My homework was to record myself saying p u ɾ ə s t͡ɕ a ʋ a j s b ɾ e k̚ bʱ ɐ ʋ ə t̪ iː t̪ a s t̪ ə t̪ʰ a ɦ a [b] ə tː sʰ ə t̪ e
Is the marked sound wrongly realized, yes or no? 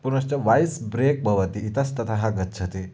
yes